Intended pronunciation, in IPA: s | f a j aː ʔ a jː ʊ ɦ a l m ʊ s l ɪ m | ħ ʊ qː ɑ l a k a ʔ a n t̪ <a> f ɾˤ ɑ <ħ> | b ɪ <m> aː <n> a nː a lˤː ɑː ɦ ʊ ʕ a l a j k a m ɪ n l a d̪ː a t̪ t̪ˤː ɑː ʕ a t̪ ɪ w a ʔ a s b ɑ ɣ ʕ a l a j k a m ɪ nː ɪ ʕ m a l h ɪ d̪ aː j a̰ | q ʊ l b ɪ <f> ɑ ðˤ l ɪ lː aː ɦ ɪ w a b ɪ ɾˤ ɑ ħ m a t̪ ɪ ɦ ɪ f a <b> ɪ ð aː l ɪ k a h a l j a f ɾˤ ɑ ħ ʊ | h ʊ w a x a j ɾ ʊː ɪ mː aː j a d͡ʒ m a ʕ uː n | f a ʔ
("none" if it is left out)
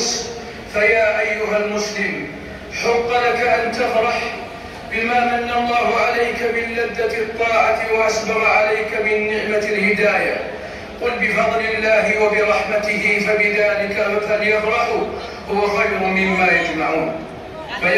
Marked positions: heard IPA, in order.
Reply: a, ħ, m, m, f, b

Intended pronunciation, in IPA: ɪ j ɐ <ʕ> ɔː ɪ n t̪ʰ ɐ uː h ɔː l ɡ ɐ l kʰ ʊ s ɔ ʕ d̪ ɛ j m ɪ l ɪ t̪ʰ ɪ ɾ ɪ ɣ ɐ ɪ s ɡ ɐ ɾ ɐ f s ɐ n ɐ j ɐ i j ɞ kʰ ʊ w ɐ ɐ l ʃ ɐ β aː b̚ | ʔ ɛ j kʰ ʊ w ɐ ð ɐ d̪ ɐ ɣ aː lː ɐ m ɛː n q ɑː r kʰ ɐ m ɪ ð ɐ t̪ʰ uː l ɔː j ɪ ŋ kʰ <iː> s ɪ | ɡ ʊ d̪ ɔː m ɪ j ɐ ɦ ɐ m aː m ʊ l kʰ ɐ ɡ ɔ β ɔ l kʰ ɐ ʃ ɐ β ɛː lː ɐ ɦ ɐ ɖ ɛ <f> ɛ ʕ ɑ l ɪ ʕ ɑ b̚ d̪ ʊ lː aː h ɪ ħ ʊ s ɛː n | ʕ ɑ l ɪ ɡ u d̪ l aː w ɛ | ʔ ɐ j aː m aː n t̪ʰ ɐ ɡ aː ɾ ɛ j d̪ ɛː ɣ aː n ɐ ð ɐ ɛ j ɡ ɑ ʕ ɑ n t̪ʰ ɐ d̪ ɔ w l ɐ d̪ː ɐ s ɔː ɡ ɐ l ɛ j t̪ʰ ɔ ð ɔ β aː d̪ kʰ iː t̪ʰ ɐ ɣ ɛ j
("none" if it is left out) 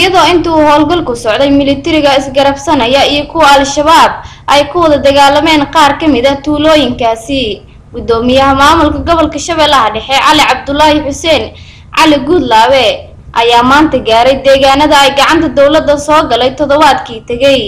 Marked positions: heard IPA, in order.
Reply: ð, aː, ħ

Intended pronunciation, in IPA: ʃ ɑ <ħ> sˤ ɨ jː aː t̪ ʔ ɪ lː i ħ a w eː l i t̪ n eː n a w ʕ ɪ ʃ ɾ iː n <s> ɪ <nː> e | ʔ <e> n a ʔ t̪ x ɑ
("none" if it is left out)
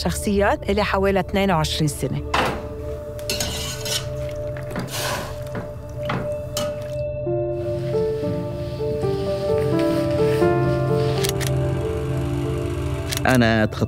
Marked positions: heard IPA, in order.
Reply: x, s, n, a

